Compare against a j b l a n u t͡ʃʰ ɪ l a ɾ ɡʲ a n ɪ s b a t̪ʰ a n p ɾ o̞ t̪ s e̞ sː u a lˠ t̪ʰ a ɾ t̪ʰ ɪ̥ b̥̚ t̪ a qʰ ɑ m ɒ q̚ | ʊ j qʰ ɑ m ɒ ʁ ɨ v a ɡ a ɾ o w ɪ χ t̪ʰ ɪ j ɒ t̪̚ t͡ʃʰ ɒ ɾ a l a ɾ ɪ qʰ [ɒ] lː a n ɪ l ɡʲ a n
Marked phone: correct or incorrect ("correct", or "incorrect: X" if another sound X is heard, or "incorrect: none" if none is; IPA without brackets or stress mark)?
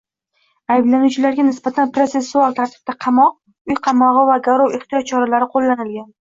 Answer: incorrect: o